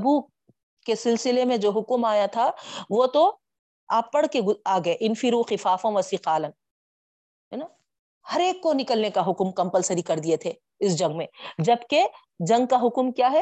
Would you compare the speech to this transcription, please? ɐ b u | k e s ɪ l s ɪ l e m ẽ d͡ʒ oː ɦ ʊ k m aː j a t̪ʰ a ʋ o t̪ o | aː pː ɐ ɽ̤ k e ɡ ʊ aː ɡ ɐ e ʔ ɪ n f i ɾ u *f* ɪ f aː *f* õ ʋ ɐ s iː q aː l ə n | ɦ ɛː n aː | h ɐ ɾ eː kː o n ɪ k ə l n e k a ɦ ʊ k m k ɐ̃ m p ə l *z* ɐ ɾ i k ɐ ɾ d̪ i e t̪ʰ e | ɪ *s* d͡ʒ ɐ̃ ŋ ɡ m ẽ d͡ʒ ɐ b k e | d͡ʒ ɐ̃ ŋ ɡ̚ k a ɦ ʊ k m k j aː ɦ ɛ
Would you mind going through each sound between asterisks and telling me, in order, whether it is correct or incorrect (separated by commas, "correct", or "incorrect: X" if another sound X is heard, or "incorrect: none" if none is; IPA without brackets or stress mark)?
incorrect: x, correct, incorrect: s, correct